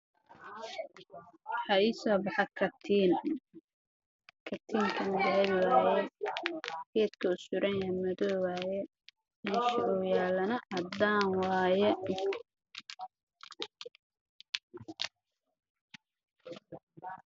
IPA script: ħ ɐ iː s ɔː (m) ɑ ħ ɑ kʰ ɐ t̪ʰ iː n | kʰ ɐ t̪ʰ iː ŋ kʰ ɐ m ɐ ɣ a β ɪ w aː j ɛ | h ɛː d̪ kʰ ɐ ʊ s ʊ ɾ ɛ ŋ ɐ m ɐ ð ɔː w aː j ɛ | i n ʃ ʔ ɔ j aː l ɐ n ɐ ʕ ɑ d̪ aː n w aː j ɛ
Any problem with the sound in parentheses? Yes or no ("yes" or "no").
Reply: yes